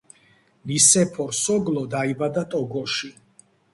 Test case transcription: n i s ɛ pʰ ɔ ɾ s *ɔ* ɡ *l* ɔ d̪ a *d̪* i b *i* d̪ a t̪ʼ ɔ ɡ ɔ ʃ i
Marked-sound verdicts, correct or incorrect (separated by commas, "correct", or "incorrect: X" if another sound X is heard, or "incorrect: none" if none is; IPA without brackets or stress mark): correct, correct, incorrect: none, incorrect: a